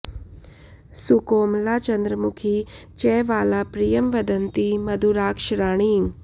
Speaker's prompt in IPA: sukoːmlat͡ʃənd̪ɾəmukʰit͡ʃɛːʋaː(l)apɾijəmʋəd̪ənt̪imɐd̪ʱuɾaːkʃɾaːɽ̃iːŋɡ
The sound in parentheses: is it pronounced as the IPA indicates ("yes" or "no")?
yes